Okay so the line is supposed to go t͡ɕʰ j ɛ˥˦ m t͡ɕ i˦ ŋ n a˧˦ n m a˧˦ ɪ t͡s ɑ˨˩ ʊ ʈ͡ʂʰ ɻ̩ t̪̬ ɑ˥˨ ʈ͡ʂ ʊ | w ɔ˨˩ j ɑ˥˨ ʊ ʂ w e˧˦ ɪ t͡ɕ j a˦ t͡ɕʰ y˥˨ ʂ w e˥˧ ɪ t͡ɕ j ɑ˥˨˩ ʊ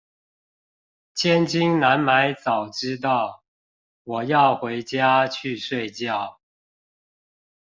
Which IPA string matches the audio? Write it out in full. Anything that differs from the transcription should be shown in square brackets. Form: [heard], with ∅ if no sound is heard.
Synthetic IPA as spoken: t͡ɕʰ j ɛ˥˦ [n] t͡ɕ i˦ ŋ n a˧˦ n m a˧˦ ɪ t͡s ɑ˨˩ ʊ [ʈ͡ʂ] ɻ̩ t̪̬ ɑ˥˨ [∅] ʊ | w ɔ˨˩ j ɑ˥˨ ʊ [x] w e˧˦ ɪ t͡ɕ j a˦ t͡ɕʰ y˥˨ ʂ w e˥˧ ɪ t͡ɕ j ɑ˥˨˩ ʊ